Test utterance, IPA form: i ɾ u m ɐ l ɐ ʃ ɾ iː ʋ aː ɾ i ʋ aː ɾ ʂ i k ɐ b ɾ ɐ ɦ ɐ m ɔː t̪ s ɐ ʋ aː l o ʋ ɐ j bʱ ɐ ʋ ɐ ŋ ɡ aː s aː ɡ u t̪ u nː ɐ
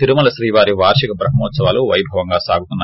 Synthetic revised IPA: i ɾ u m ɐ l ɐ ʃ ɾ iː ʋ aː ɾ i ʋ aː ɾ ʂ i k ɐ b ɾ ɐ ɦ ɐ m ɔː t̪ s ɐ ʋ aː l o ʋ ɐ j bʱ ɐ ʋ ɐ ŋ ɡ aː s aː ɡ u t̪ u nː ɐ